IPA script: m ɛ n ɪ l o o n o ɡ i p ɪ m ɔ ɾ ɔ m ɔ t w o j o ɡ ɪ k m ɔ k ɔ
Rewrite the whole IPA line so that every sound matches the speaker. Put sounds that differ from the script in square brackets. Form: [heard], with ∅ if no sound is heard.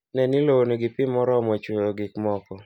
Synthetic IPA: [n] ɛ n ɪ l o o n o ɡ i p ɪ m ɔ ɾ ɔ m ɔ [t͡ʃ] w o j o ɡ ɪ k m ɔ k ɔ